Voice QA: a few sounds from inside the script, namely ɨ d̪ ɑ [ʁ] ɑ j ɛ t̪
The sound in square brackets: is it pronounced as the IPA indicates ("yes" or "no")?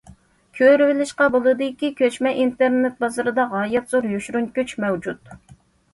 yes